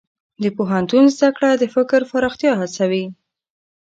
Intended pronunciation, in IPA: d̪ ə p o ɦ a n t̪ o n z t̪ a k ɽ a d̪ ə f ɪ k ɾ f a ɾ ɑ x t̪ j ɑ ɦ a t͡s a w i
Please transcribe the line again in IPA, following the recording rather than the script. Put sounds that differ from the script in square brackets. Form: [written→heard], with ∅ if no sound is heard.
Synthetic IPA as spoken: d̪ ə p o ɦ a n t̪ [o→u] n z [t̪→d̪] a k ɽ a d̪ ə f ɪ k ɾ f a ɾ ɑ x t̪ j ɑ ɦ a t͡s a w i